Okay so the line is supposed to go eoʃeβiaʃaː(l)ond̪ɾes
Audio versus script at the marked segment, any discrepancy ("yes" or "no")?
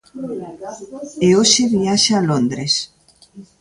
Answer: no